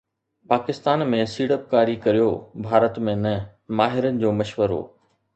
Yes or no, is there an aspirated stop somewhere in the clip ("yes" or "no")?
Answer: no